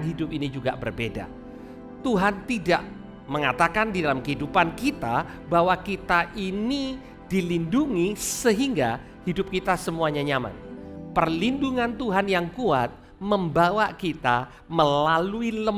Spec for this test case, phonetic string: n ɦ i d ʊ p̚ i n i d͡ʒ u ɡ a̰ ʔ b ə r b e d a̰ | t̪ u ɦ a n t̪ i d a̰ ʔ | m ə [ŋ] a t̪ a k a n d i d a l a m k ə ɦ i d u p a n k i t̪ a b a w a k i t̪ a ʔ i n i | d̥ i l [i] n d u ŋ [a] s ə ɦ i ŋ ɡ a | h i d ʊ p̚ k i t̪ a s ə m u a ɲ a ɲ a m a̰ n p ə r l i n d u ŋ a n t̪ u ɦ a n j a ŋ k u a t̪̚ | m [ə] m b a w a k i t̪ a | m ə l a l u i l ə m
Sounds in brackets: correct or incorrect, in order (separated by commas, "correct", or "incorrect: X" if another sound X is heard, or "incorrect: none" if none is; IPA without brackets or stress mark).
correct, correct, incorrect: i, correct